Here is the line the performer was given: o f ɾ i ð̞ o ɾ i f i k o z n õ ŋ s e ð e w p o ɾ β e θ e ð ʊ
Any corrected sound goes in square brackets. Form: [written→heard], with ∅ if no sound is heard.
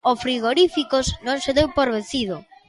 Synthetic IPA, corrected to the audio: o f ɾ i [ð̞→ɣ̞] o ɾ i f i k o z n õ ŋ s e ð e w p o ɾ β e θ [e→i] ð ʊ